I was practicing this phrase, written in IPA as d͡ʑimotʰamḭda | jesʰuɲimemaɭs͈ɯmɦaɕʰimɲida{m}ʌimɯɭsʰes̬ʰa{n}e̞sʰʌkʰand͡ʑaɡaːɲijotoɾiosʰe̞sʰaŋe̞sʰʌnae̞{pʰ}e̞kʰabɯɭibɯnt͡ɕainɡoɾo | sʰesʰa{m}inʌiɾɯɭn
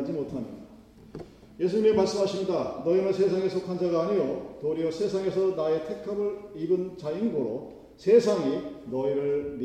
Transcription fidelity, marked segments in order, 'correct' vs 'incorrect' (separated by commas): incorrect, incorrect, incorrect, incorrect